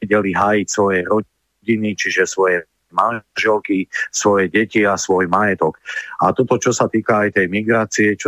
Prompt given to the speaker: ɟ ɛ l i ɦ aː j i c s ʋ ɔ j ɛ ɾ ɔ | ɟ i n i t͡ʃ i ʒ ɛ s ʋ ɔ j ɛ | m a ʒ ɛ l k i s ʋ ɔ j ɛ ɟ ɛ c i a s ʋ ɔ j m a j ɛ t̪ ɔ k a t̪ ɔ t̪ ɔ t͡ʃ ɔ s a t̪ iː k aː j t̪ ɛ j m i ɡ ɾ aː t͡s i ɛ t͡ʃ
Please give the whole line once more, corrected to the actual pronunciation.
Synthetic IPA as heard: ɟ ɛ l i ɦ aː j i c s ʋ ɔ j ɛ ɾ ɔ | ɟ i n i t͡ʃ i ʒ ɛ s ʋ ɔ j ɛ | m a ʒ ɛ l k i s ʋ ɔ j ɛ ɟ ɛ c i a s ʋ ɔ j m a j ɛ t̪ ɔ k a t̪ ɔ t̪ ɔ t͡ʃ ɔ s a t̪ iː k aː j t̪ ɛ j m i ɡ ɾ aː t͡s i ɛ t͡ʃ